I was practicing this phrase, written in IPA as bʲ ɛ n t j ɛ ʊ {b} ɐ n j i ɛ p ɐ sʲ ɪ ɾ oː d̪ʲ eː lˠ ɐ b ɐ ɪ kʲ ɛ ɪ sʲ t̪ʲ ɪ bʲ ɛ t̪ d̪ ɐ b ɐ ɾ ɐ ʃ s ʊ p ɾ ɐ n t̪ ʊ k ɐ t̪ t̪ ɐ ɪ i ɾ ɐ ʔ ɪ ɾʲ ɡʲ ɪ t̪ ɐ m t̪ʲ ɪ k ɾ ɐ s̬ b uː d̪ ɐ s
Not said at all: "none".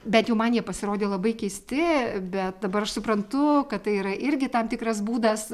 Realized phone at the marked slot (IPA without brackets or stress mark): m